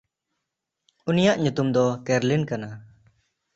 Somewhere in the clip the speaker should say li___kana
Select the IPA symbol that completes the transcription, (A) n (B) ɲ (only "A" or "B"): A